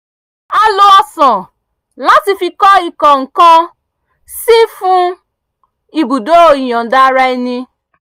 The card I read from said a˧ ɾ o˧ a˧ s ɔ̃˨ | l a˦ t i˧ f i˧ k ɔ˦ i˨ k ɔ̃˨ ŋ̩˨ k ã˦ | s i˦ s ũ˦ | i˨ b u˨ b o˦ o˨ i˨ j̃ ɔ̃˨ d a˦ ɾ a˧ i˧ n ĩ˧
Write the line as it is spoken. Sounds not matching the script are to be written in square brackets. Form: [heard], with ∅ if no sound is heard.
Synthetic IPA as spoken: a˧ [l] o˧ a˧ s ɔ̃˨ | l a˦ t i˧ f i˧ k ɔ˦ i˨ k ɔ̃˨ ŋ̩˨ k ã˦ | s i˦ [f] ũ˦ | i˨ b u˨ [d] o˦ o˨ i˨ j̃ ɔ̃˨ d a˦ ɾ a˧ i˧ n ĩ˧